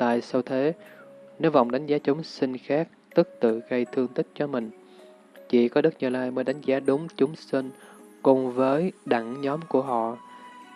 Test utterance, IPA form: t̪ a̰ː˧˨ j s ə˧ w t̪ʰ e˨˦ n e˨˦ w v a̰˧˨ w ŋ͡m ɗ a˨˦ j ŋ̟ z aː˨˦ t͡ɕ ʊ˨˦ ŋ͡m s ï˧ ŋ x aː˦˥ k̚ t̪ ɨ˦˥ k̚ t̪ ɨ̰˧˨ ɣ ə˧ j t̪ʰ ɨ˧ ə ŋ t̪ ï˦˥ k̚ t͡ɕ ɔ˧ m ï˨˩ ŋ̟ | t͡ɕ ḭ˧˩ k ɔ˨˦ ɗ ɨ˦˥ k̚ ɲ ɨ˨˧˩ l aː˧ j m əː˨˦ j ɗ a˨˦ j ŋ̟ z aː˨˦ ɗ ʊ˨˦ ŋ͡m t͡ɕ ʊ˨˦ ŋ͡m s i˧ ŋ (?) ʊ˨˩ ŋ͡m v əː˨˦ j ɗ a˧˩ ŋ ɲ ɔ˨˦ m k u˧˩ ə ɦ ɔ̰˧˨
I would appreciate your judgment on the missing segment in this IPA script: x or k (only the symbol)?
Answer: k